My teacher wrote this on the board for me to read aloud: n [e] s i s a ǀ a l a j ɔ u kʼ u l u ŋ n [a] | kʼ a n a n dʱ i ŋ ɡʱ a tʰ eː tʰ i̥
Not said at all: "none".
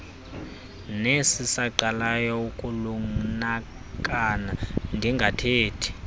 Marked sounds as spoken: e, a

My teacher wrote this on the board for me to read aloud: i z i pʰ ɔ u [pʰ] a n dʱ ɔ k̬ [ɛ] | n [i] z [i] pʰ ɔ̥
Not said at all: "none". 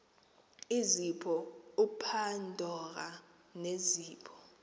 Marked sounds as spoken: pʰ, a, e, iː

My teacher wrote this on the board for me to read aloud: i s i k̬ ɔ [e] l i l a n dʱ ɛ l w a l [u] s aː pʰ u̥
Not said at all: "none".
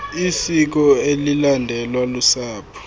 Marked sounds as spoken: e, u

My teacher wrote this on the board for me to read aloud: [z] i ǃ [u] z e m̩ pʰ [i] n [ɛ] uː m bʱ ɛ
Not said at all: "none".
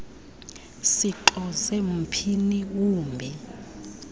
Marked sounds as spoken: s, ɔ, i, i

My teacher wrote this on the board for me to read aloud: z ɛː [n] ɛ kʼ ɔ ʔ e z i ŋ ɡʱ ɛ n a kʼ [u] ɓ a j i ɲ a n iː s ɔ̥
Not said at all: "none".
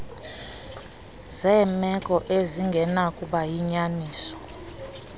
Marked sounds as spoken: m, u

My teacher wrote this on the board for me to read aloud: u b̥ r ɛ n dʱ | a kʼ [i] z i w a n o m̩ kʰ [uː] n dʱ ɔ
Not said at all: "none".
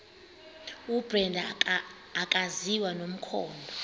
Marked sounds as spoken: a, ɔː

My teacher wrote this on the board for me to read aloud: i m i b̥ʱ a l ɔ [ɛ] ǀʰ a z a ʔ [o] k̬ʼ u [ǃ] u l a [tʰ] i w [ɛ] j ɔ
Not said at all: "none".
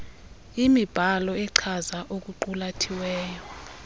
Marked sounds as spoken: ɛ, o, ǃ, tʰ, ɛː

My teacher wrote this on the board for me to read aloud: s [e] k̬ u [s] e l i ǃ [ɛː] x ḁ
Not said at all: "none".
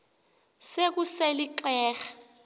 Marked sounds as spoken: e, s, ɛː

